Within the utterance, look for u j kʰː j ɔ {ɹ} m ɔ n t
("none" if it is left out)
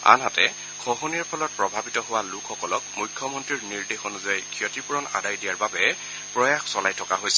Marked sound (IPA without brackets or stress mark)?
none